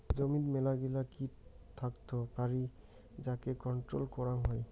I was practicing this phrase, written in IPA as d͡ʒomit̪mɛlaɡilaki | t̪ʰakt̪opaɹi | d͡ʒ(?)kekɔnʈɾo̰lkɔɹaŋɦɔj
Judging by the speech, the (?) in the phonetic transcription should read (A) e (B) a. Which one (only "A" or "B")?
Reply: B